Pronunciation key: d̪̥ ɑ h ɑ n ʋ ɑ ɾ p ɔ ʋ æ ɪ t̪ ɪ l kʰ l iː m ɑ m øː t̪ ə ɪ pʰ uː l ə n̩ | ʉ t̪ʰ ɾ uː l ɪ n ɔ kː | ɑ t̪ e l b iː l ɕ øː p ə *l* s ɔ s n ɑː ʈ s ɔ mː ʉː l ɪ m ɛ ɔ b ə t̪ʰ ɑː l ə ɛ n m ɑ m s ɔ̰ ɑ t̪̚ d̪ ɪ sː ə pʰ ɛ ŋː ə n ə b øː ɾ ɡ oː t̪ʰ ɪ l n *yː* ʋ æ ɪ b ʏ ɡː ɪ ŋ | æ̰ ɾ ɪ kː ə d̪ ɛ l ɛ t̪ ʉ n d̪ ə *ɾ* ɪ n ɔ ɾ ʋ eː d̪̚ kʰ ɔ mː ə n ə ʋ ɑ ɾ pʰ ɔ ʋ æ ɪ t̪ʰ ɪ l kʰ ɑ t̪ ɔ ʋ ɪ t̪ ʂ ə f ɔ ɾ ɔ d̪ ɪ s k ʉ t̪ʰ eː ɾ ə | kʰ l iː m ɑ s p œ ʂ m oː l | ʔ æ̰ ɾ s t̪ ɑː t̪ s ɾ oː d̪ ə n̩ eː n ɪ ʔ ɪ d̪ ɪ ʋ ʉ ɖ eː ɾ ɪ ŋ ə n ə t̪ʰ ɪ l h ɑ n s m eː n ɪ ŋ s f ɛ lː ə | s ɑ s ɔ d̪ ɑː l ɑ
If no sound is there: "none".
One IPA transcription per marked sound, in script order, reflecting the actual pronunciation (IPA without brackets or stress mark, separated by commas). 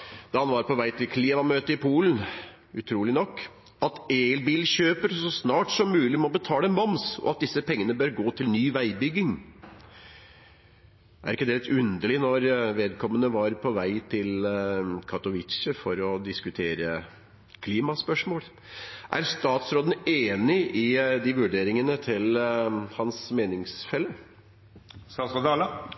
ɾ, yː, ɭ